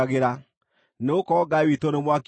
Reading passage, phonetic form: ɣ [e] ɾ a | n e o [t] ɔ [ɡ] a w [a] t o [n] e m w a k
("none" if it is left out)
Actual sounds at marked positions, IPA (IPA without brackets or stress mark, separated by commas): e, k, ɡ, i, n